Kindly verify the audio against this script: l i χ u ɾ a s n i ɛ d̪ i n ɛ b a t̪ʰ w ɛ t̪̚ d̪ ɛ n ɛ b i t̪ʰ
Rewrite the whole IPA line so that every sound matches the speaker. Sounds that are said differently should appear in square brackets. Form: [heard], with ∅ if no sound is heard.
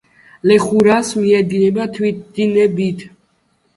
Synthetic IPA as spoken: l [ɛ] χ u ɾ a s [m] i ɛ d̪ i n ɛ b a t̪ʰ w [i] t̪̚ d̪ [i] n ɛ b i t̪ʰ